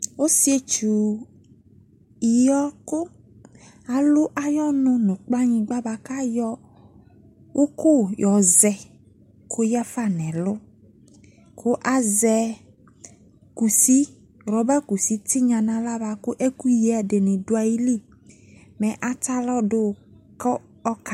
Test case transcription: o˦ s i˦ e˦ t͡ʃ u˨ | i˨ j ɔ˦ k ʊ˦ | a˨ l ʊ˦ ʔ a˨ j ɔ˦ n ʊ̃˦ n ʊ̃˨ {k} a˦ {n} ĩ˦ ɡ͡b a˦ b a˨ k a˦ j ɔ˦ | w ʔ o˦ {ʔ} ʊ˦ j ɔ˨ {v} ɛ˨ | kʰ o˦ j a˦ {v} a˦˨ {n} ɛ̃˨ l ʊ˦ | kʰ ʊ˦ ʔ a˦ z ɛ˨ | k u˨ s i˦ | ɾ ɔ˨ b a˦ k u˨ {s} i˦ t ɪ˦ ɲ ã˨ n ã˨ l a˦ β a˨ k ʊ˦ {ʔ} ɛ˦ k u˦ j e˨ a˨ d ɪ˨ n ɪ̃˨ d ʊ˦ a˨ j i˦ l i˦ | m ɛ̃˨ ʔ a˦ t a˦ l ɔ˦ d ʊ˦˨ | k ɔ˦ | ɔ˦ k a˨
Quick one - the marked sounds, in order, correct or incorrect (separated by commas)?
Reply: incorrect, incorrect, incorrect, incorrect, incorrect, correct, correct, correct